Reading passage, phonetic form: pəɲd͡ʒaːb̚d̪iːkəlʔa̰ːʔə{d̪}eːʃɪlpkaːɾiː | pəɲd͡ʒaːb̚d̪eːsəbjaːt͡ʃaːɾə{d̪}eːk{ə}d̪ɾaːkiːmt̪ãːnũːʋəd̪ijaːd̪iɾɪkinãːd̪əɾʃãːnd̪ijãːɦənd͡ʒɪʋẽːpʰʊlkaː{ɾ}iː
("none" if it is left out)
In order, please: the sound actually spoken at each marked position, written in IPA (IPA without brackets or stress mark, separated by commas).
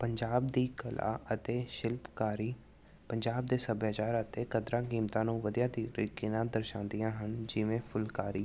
t̪, t̪, ə, ɾ